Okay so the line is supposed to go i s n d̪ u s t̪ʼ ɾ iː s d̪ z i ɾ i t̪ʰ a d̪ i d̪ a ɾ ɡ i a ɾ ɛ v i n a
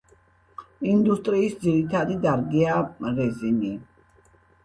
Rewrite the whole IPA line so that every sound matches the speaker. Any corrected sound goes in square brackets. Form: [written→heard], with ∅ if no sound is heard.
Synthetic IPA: i [s→∅] n d̪ u s t̪ʼ ɾ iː s d̪ z i ɾ i t̪ʰ a d̪ i d̪ a ɾ ɡ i a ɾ ɛ [v→z] i n [a→i]